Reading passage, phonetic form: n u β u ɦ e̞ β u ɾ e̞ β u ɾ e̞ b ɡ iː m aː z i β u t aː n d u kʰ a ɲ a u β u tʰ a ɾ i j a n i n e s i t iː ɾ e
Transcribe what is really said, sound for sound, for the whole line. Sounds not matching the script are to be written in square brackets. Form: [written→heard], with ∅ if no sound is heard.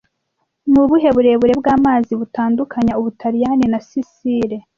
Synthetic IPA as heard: n u β u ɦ e̞ β u ɾ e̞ β u ɾ e̞ b ɡ [iː→aː] m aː z i β u t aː n d u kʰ a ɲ a u β u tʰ a ɾ i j a n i n [e→a] s i [t→s] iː ɾ e